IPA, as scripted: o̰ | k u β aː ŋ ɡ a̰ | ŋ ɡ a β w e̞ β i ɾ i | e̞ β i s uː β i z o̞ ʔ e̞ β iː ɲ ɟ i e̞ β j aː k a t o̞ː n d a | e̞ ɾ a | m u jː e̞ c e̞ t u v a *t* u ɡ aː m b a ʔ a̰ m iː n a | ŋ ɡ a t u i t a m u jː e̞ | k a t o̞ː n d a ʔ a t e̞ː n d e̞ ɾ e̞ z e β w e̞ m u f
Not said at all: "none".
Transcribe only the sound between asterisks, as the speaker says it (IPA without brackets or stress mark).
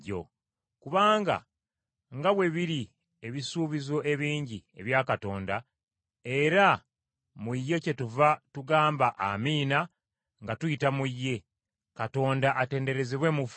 t